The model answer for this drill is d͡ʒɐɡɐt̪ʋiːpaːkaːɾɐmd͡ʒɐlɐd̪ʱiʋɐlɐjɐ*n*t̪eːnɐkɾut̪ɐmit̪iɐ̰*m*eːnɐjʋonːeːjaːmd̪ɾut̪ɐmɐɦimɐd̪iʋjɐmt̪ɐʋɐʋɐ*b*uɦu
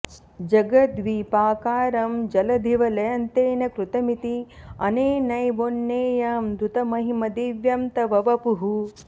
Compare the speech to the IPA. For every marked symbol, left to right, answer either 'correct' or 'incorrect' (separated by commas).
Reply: correct, incorrect, incorrect